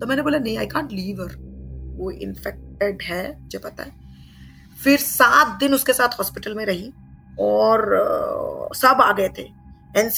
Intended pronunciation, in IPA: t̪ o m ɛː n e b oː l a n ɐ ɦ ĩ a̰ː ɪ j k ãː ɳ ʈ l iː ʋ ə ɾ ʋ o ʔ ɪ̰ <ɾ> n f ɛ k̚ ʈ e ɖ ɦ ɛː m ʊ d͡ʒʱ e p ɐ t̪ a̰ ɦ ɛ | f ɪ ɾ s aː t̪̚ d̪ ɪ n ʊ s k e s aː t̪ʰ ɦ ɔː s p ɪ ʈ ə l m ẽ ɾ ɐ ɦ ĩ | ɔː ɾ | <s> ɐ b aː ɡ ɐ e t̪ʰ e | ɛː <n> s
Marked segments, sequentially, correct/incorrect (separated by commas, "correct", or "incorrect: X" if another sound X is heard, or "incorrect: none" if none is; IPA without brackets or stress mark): incorrect: none, correct, correct